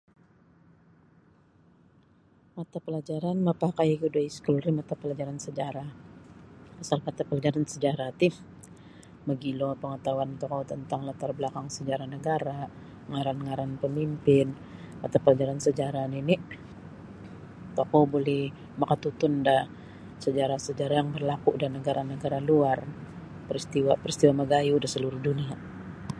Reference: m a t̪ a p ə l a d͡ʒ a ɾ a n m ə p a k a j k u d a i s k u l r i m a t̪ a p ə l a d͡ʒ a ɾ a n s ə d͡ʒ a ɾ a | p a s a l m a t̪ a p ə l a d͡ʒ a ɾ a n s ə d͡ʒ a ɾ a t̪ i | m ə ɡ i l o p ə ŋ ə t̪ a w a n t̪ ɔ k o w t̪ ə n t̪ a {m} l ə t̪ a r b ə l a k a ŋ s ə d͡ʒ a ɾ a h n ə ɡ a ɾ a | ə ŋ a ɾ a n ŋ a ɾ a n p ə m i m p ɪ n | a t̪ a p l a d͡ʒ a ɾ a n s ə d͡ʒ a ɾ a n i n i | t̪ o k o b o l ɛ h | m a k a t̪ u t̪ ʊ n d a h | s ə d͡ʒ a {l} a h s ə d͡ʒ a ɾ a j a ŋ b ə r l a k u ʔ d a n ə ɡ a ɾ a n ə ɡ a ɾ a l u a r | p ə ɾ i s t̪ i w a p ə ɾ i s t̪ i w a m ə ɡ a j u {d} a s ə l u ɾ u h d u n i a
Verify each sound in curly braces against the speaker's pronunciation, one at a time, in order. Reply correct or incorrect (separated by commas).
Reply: incorrect, incorrect, correct